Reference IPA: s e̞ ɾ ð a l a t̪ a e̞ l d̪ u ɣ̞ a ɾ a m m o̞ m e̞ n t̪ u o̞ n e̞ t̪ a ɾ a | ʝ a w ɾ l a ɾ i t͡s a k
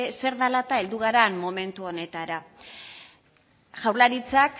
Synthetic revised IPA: s e̞ ɾ ð a l a t̪ a e̞ l d̪ u ɣ̞ a ɾ a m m o̞ m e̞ n t̪ u o̞ n e̞ t̪ a ɾ a | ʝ a w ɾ l a ɾ i t͡s a k